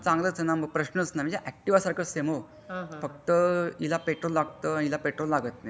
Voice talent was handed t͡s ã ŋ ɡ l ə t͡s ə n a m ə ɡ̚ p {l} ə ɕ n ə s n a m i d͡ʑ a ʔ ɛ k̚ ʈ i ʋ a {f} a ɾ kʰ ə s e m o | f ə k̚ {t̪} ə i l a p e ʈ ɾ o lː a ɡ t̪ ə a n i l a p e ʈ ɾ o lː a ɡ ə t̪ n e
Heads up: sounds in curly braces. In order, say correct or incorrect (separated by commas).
incorrect, incorrect, correct